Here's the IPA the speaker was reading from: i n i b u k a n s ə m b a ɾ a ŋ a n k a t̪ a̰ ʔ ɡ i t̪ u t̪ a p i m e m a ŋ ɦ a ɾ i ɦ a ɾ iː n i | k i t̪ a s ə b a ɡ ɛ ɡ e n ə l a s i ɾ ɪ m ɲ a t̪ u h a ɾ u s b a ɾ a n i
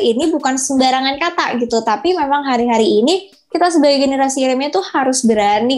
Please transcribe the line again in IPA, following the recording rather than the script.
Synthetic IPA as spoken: i n i b u k a n s ə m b a ɾ a ŋ a n k a t̪ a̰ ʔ ɡ i t̪ u t̪ a p i m e m a ŋ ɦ a ɾ i ɦ a ɾ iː n i | k i t̪ a s ə b a ɡ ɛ ɡ e n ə ɾ a s i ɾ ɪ m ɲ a t̪ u h a ɾ ʊ s b ə ɾ a n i